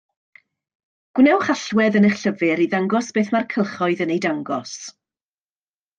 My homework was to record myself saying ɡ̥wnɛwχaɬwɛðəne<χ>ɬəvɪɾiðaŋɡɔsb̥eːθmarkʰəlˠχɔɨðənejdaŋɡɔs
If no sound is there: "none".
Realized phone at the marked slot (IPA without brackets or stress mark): χ